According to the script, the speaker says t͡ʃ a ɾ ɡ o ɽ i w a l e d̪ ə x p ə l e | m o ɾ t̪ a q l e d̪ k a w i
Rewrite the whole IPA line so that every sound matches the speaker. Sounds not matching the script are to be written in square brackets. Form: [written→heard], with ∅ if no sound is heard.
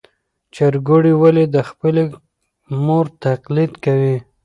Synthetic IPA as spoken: t͡ʃ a ɾ ɡ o ɽ i w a l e d̪ ə x p ə l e | m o ɾ t̪ a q l [e→i] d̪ k a w i